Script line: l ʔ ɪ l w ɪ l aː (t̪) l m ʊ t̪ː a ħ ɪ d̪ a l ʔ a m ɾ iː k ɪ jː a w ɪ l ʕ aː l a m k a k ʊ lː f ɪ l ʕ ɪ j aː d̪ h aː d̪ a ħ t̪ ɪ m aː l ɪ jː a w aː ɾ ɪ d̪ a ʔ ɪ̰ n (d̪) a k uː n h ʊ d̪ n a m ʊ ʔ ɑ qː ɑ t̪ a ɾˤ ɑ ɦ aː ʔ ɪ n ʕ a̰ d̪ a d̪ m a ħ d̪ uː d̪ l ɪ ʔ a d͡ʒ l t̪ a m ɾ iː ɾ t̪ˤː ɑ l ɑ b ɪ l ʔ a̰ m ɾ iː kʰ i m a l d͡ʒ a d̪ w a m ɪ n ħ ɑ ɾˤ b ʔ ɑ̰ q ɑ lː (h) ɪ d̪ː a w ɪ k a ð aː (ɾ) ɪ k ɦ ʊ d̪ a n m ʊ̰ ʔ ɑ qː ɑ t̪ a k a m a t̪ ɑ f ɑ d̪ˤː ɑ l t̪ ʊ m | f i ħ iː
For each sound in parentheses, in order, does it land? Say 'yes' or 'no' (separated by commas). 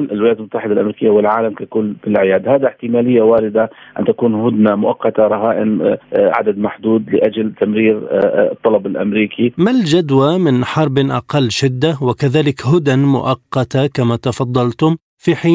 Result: yes, no, no, no